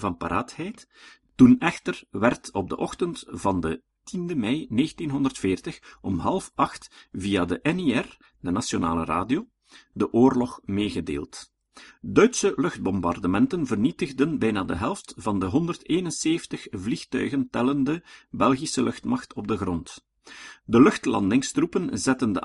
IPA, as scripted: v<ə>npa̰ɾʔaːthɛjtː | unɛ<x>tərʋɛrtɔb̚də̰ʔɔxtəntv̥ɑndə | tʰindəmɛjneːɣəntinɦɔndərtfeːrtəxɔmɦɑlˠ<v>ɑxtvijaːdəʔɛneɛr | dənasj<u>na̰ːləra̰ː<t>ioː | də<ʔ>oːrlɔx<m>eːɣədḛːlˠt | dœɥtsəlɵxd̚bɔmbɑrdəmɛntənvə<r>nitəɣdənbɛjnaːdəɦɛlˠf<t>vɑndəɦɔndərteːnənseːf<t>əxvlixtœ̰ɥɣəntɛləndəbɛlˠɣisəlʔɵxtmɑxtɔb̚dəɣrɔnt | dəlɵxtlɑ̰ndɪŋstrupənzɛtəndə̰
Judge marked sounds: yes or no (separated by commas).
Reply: no, yes, no, no, no, yes, yes, yes, yes, yes